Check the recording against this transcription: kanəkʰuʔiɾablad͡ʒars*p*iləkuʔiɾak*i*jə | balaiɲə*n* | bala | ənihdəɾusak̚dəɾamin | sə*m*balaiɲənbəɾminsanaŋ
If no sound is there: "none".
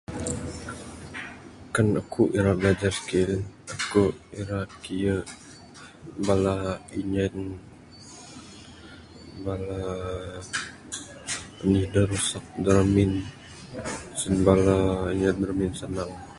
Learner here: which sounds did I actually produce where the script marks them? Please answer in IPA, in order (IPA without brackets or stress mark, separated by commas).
k, i, n, n